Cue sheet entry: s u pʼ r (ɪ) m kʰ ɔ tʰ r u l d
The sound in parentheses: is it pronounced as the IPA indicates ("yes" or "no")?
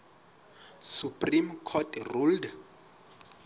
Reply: no